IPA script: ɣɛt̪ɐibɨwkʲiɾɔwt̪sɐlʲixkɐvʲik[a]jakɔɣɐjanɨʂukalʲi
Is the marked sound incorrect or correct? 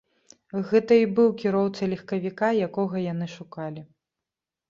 correct